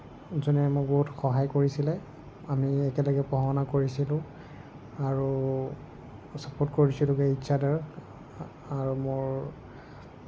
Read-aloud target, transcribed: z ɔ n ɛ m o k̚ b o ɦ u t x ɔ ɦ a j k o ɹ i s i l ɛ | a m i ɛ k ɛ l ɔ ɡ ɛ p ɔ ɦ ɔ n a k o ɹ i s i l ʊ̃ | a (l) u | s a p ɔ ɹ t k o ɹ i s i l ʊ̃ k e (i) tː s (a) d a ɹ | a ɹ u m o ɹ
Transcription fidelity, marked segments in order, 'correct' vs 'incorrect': incorrect: ɹ, correct, correct

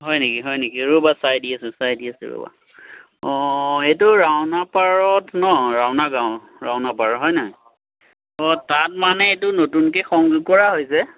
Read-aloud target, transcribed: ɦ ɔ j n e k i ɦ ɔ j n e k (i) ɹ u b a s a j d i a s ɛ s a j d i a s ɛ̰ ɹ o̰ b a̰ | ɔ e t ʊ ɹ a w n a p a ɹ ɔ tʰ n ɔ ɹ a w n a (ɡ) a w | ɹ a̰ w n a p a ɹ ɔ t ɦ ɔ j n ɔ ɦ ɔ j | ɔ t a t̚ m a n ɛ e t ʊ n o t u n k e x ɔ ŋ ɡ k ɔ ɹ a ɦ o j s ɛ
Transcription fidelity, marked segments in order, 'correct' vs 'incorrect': correct, correct

